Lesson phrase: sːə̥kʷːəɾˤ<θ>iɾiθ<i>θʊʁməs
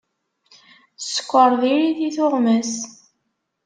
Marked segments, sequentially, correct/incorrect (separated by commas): incorrect, correct